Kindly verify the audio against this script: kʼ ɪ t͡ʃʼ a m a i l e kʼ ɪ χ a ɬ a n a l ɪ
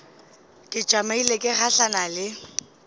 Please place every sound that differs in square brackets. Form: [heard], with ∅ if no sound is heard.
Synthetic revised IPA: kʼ ɪ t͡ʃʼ a m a i l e kʼ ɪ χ a ɬ a n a l ɪ